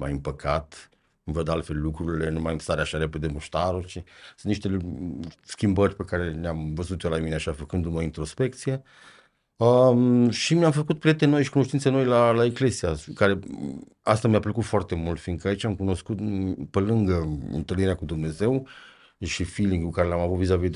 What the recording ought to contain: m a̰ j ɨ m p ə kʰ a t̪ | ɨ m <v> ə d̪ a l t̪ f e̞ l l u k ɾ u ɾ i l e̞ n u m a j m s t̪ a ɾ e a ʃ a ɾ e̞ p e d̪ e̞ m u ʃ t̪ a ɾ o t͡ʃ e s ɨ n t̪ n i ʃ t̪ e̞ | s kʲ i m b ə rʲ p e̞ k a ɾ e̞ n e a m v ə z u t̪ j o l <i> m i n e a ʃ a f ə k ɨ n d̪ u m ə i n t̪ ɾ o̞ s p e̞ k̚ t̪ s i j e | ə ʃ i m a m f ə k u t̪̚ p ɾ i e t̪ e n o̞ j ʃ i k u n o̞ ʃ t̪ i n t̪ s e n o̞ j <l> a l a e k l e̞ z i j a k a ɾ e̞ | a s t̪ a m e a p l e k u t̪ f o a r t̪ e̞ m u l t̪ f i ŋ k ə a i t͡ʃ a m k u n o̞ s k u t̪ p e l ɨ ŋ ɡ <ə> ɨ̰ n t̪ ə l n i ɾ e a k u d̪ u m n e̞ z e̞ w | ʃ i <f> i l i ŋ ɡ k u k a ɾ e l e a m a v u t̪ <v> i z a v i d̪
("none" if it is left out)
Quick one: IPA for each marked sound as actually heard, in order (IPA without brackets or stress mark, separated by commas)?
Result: v, a, l, ə, f, v